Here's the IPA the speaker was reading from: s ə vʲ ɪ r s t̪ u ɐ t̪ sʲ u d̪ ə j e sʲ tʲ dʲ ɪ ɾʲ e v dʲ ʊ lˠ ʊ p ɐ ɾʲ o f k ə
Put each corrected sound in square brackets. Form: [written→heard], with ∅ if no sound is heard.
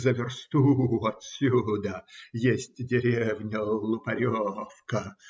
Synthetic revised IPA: [s→z] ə vʲ ɪ r s t̪ u ɐ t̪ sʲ u d̪ ə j e sʲ tʲ dʲ ɪ ɾʲ e v [dʲ→nʲ] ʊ lˠ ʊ p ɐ ɾʲ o f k ə